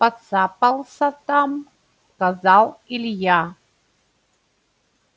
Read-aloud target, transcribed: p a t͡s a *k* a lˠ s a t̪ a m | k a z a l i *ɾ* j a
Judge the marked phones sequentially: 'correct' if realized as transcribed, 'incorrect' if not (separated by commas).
incorrect, incorrect